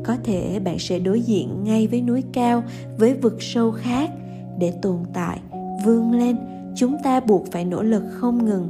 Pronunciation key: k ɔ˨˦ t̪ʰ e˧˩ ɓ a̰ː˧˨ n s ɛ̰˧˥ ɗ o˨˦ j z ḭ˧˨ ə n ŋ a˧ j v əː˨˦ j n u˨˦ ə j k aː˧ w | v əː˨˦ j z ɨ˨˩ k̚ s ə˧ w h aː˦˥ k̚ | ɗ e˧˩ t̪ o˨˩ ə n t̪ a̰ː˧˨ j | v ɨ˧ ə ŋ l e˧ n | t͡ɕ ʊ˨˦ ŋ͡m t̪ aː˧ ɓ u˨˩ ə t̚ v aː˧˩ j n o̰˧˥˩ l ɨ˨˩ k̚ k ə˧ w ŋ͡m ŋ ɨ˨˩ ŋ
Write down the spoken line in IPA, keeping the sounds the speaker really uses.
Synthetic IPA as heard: k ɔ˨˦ t̪ʰ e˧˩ ɓ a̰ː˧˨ n s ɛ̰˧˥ ɗ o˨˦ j z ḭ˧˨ ə n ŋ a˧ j v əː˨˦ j n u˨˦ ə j k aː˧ w | v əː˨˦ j v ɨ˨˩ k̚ s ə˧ w x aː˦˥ k̚ | ɗ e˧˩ t̪ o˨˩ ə n t̪ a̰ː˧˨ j | v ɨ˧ ə ŋ l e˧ n | t͡ɕ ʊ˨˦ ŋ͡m t̪ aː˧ ɓ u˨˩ ə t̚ f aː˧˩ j n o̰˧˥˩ l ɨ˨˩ k̚ x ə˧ w ŋ͡m ŋ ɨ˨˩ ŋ